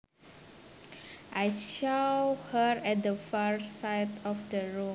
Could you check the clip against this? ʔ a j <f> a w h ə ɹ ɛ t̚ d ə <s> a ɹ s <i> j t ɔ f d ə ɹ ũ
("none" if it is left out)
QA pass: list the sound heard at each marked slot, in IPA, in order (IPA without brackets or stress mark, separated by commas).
ʃ, f, a